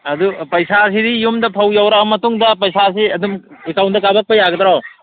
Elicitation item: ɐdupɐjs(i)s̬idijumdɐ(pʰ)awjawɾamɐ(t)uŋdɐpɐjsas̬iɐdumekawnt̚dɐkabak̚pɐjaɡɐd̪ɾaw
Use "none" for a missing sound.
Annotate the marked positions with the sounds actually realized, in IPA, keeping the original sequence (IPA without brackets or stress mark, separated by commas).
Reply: a, pʰ, t